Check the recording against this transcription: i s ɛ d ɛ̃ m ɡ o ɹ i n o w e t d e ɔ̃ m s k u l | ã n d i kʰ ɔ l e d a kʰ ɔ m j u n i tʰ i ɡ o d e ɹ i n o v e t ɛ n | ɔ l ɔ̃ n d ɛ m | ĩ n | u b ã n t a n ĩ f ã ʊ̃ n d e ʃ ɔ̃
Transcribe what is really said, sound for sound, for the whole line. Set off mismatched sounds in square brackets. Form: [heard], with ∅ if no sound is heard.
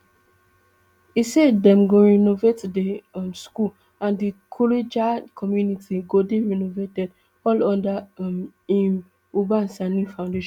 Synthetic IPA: i s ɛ d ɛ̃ m ɡ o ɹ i n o [v] e t d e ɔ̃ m s k u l | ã n d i kʰ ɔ l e [d͡ʒ] a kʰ ɔ m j u n i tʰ i ɡ o d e ɹ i n o v e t ɛ [d] | ɔ l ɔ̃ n d [a] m | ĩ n | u b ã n [s] a n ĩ f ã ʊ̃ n d e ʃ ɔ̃